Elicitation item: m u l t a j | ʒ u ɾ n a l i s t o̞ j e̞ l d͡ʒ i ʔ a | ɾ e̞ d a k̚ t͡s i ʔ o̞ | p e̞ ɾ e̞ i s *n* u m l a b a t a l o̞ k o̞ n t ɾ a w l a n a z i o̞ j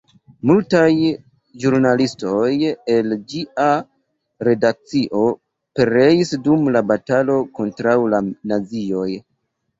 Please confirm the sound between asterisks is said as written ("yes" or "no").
no